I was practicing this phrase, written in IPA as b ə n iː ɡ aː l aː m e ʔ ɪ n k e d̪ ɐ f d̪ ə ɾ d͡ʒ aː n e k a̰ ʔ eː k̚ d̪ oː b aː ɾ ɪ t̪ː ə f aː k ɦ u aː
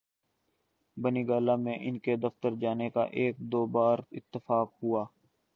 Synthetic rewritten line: b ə n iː ɡ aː l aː m ẽ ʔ ɪ n k e d̪ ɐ f t̪ ə ɾ d͡ʒ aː n e k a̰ ʔ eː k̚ d̪ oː b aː ɾ ɪ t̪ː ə f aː k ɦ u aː